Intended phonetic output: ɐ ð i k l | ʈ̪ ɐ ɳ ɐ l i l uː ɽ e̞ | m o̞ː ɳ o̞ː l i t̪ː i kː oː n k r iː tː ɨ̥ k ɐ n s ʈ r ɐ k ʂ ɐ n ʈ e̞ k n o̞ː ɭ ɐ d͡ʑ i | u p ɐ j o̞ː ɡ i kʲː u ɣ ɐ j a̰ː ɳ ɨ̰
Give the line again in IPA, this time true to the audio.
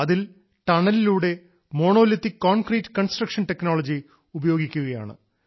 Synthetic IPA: ɐ ð i l | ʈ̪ ɐ ɳ ɐ l i l uː ɽ e̞ | m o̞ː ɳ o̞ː l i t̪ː i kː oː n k r iː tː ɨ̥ k ɐ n s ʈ r ɐ k ʂ ɐ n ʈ e̞ k n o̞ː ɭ ɐ d͡ʑ i | u b ɐ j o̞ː ɡ i kʲː u ɣ ɐ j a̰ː ɳ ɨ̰